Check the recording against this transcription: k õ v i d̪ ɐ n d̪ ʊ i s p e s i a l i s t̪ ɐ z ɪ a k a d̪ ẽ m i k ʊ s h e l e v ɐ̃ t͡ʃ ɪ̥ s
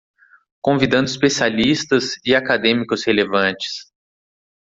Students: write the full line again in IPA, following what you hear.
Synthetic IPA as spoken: k õ v i d̪ ɐ̃ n d̪ ʊ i s p e s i a l i s t̪ ɐ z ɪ a k a d̪ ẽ m i k ʊ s h e l e v ɐ̃ t͡ʃ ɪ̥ s